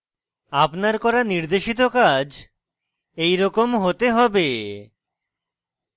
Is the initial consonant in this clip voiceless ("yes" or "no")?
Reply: yes